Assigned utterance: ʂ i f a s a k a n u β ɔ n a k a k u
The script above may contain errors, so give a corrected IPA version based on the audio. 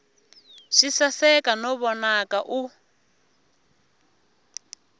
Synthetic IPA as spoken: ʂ i s a s ɛ k a n ɔ β ɔ n a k a ʔ u

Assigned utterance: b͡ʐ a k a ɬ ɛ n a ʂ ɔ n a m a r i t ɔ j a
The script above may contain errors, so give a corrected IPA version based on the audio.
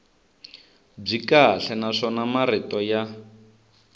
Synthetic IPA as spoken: b͡ʐ i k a ɬ ɛ n a ʂ ɔ n a m a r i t ɔ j a

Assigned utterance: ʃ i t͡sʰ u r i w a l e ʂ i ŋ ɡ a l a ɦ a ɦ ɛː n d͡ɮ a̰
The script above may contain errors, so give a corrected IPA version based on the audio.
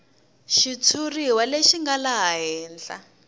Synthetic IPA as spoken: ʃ i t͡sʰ u r i w a l e ʃ i ŋ ɡ a l a ɦ a ɦ ɛː n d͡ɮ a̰

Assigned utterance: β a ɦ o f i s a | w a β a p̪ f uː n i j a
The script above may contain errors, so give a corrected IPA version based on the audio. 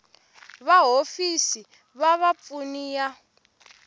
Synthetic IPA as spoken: β a ɦ o f i s i | β a β a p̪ f u n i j a

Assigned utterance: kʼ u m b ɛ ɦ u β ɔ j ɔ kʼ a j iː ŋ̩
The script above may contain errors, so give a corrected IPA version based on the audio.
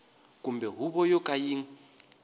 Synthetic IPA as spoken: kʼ u m b ɛ ɦ u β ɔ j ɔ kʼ a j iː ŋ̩

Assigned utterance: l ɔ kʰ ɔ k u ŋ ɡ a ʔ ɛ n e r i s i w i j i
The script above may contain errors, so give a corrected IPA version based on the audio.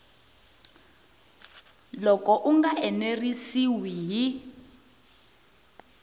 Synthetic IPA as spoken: l ɔ k ɔ ʔ u ŋ ɡ a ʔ ɛ n e r i s i w i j i

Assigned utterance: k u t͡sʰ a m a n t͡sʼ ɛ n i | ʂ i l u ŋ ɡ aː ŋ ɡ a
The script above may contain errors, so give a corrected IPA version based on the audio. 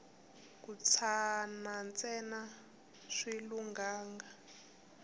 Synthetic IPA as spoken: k u t͡sʰ a n a n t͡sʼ ɛ n a | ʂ i l u ŋ ɡ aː ŋ ɡ a

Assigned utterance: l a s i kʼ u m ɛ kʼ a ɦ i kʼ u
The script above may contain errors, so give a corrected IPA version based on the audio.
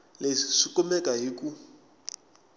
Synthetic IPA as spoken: l e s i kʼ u m ɛ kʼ a ɦ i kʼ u

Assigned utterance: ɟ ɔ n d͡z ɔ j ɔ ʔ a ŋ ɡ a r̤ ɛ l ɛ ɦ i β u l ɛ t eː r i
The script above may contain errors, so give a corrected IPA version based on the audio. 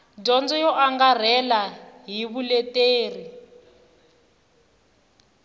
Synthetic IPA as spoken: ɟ ɔ n d͡z ɔ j ɔ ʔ a ŋ ɡ a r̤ ɛ l a ɦ i β u l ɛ t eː r i

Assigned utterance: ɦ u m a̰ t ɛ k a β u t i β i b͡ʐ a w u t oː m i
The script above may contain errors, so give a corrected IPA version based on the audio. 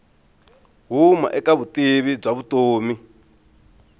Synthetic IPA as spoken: ɦ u m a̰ ʔ ɛ k a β u t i β i b͡ʐ a β u t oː m i

